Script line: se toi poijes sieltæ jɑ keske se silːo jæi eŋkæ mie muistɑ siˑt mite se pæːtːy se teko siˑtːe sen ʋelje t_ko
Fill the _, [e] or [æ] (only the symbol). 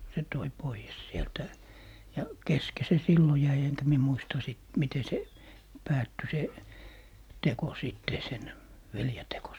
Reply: e